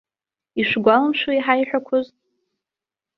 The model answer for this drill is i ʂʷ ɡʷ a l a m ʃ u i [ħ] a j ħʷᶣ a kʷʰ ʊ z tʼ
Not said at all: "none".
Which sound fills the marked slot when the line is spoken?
ħ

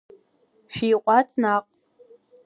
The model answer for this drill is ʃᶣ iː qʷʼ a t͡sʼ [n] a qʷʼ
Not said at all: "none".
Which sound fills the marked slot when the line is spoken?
n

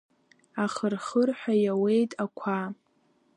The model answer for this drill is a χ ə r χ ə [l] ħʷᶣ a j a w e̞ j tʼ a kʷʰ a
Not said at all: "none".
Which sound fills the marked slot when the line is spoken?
r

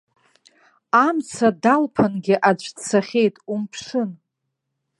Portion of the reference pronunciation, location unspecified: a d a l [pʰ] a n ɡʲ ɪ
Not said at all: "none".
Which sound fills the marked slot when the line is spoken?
pʰ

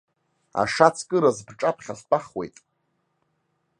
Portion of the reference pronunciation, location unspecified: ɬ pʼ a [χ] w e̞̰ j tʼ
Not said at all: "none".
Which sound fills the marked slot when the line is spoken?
χ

